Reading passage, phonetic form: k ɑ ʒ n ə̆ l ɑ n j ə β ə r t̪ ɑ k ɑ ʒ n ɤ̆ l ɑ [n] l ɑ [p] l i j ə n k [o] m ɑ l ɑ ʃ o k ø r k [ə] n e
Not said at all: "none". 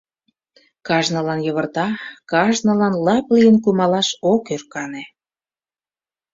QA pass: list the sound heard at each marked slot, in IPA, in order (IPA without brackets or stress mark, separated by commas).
n, p, u, ɑ